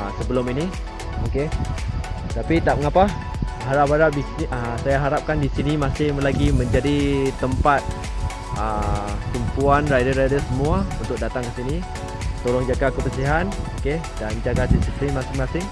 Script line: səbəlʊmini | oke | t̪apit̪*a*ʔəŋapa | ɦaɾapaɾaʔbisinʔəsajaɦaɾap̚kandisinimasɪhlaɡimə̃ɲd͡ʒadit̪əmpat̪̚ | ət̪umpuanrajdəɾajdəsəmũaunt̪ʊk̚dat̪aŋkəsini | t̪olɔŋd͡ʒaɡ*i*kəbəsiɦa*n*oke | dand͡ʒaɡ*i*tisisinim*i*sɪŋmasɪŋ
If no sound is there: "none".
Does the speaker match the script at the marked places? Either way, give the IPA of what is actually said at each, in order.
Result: a, a, n, a, a

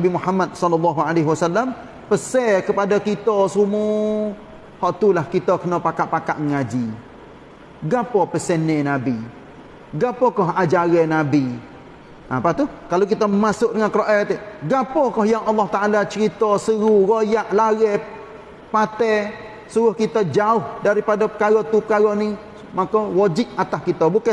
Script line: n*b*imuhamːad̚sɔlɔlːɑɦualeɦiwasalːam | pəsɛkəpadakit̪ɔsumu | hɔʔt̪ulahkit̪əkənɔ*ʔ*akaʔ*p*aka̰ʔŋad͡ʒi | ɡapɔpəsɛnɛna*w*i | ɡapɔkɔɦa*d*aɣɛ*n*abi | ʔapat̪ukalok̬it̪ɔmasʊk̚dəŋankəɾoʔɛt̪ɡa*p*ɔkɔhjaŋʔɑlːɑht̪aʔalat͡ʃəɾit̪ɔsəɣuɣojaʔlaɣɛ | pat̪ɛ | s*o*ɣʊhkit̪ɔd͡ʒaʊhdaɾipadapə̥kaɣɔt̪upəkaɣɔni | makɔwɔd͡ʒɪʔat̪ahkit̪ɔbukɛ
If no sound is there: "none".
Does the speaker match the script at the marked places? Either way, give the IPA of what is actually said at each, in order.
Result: b, p, p, b, d͡ʒ, n, p, u

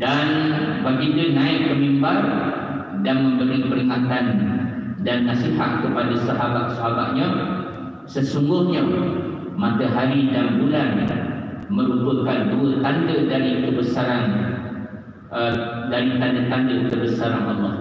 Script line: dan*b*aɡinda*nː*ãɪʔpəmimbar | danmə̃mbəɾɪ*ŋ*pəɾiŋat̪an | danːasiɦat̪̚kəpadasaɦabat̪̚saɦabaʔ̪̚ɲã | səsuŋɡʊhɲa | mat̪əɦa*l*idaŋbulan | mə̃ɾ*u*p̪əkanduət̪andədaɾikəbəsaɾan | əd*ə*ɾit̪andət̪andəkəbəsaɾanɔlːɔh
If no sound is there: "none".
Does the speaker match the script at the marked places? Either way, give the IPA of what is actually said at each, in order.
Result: b, n, ŋ, ɾ, u, a

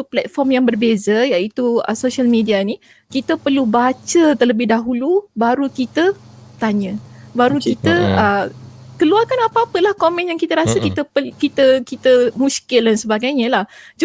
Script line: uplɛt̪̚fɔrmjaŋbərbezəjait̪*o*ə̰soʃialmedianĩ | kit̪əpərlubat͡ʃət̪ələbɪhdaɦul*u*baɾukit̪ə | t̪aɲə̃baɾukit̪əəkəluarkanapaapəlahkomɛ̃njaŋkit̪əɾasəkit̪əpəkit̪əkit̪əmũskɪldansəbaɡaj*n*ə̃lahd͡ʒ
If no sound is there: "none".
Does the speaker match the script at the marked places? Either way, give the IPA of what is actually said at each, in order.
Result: u, u, ɲ

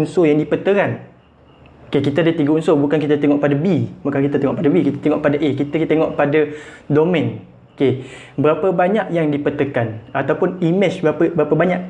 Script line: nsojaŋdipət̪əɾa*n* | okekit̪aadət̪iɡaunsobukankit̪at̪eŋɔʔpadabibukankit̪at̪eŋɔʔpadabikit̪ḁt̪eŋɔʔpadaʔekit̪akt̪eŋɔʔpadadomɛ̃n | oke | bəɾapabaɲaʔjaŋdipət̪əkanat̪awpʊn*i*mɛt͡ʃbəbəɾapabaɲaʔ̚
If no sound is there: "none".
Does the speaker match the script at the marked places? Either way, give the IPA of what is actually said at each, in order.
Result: n, i

